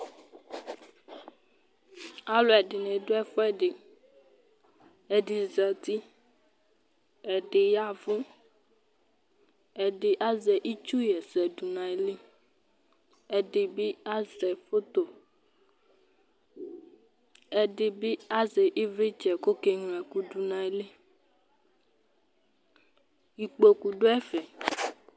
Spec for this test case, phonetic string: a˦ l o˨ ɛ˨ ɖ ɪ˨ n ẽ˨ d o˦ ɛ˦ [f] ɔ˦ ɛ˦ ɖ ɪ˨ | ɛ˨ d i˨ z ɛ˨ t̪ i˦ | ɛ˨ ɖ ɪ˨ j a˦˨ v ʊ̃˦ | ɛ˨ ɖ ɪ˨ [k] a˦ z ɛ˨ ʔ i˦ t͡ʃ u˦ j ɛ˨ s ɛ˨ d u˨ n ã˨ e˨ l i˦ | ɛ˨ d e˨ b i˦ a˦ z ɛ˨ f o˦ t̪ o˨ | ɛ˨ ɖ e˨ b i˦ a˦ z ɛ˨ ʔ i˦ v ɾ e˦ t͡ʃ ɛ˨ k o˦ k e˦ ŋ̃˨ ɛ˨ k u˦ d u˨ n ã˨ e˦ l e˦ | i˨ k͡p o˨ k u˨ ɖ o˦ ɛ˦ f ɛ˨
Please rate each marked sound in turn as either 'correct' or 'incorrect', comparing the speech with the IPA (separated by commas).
correct, incorrect